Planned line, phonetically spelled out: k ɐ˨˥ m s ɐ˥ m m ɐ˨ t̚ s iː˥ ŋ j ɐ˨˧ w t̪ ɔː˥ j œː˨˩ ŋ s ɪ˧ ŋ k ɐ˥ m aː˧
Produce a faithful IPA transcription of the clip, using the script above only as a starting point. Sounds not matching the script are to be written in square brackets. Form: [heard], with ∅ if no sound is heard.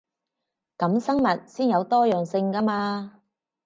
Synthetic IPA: k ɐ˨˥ m s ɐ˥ [ŋ] m ɐ˨ t̚ s iː˥ [n] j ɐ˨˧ w t̪ ɔː˥ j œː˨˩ ŋ s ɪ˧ ŋ k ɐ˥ m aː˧